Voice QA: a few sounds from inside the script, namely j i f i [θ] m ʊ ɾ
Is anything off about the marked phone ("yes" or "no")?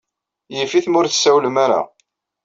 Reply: no